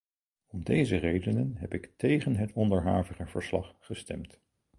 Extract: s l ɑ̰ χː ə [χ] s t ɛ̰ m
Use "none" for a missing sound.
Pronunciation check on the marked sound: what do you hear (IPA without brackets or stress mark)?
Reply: none